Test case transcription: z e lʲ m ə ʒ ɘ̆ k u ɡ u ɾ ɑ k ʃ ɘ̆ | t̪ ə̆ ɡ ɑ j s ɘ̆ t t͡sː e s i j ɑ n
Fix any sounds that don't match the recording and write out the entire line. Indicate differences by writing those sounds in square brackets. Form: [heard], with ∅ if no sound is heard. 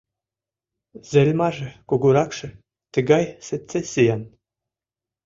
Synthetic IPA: z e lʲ m [ɑ] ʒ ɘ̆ k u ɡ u ɾ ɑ k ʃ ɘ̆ | t̪ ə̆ ɡ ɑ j s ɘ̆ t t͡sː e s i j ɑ n